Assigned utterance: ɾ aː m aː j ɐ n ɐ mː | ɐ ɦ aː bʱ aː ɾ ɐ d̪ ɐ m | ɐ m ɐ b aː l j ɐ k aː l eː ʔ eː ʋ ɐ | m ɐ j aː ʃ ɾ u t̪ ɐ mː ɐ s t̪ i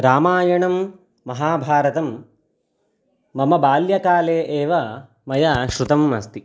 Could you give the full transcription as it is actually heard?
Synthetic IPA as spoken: ɾ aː m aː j ɐ ɳ ɐ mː | ɐ ɦ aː bʱ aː ɾ ɐ t̪ ɐ m | ɐ m ɐ b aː l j ɐ k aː l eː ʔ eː ʋ ɐ | m ɐ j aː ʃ ɾ u t̪ ɐ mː ɐ s t̪ i